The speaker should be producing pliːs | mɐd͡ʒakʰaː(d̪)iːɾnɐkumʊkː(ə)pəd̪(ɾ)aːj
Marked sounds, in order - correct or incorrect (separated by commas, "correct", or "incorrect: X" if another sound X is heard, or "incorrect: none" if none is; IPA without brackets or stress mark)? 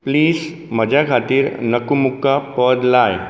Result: incorrect: t̪, incorrect: a, incorrect: l